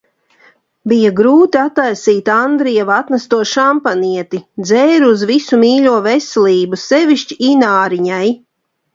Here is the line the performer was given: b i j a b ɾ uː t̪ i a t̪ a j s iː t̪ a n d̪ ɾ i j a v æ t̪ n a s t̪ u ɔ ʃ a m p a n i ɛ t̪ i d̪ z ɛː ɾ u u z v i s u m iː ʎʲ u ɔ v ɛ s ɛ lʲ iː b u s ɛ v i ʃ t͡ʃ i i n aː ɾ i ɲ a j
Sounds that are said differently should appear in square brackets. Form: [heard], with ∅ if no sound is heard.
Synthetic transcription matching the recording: b i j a [ɡ] ɾ uː t̪ i a t̪ a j s iː t̪ a n d̪ ɾ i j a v [a] t̪ n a s t̪ u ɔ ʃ a m p a n i ɛ t̪ i d̪ z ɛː ɾ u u z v i s u m iː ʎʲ u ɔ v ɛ s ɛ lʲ iː b u s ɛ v i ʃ t͡ʃ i i n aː ɾ i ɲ a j